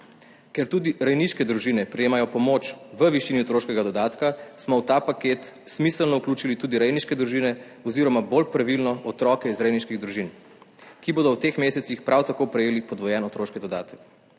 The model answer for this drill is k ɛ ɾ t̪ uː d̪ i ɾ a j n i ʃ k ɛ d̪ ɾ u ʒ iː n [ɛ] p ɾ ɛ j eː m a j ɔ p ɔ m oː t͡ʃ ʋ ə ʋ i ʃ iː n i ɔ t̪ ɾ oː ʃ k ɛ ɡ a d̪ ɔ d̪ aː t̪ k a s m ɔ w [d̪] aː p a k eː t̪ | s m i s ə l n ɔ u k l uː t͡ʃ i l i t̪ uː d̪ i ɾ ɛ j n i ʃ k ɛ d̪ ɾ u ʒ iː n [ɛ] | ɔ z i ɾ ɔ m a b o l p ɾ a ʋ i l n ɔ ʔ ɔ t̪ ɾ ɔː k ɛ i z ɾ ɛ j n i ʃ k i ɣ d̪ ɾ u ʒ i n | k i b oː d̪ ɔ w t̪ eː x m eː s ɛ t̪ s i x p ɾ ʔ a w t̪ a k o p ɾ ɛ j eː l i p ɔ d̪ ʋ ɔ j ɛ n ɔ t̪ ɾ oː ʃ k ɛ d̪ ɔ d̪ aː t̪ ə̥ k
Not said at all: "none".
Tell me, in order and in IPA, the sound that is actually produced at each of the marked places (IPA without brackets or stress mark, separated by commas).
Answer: ɛ, t̪, ɛ